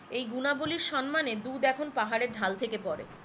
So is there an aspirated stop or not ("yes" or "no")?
yes